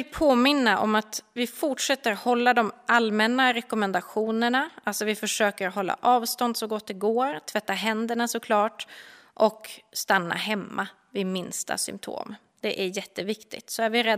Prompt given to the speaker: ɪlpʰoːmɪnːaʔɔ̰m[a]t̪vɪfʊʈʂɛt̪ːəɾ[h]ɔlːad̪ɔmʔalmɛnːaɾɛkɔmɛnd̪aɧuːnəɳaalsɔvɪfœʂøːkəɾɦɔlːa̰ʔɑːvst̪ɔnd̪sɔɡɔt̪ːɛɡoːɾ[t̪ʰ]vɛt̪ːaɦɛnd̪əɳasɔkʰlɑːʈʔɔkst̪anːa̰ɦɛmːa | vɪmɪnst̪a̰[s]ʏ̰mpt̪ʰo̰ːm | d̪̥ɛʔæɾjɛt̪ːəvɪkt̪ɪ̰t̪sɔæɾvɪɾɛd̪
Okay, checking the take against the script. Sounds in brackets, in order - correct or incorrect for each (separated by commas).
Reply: correct, correct, correct, correct